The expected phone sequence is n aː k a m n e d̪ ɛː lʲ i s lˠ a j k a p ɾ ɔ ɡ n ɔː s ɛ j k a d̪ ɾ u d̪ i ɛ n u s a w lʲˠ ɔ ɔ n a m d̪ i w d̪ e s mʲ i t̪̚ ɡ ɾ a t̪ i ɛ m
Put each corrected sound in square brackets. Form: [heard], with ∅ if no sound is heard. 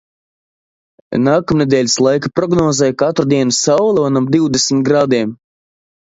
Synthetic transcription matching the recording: n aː k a m n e d̪ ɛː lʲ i s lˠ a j k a p ɾ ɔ ɡ n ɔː [z] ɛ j k a [t̪] ɾ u d̪ i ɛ n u s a w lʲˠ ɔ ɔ n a m d̪ i w d̪ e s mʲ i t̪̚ ɡ ɾ a [d̪] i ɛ m